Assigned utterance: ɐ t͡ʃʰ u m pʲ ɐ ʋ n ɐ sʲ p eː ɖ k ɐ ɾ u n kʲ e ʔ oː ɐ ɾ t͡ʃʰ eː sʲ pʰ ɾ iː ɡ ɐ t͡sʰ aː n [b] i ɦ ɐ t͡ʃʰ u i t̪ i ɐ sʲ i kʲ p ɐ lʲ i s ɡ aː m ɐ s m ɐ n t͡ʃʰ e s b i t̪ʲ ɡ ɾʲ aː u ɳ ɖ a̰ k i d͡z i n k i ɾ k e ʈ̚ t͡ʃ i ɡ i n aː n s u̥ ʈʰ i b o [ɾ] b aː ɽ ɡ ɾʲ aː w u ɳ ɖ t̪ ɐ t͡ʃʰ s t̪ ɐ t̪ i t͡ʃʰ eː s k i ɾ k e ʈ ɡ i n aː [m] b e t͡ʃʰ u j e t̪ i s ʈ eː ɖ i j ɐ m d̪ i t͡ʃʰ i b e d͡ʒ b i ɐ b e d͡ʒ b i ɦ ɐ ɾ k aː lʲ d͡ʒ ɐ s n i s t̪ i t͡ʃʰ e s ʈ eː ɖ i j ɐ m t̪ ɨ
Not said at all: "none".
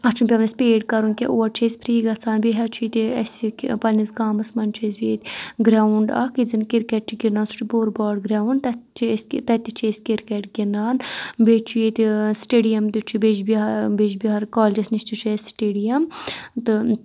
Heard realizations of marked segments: b, ɾ, n

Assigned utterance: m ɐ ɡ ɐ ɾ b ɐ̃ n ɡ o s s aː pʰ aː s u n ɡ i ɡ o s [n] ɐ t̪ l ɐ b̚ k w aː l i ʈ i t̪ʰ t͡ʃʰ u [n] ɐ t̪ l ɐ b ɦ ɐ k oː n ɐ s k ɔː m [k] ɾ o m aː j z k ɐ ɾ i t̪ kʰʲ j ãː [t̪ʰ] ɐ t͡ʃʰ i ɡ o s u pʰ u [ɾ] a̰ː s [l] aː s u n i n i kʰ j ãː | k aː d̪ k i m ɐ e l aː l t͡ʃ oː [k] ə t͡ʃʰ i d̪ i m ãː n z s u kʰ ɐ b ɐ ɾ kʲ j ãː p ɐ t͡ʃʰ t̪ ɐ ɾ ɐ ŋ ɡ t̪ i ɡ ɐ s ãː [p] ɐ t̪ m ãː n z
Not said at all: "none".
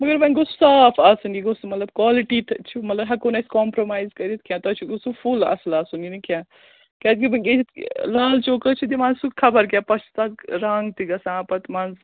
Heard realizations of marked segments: m, m, p, t̪, l, l, k, p

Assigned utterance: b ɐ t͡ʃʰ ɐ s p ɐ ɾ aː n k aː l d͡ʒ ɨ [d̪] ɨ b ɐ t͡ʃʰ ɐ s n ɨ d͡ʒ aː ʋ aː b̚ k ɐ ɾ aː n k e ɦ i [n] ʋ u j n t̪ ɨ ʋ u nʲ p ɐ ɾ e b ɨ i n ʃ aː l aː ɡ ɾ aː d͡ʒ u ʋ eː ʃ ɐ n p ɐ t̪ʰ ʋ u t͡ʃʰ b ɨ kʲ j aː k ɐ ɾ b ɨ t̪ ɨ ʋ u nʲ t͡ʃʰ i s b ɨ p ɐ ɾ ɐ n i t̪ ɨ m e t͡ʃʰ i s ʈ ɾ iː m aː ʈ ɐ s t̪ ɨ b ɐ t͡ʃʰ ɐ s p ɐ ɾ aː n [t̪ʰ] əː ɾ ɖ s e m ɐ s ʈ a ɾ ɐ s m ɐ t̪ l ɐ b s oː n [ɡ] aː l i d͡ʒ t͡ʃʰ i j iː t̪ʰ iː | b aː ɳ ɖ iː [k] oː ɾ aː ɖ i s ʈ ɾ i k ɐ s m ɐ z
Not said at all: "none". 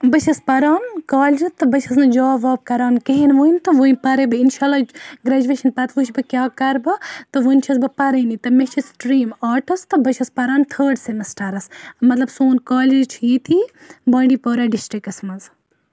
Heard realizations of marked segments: t̪, n, t̪ʰ, k, p

